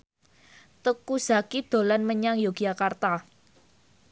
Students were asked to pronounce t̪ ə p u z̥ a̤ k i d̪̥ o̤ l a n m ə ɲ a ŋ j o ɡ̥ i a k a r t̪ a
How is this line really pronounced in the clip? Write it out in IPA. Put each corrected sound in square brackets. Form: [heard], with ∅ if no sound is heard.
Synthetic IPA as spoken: t̪ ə [k] u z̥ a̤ k i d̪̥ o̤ l a n m ə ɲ a ŋ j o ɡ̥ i a k a r t̪ a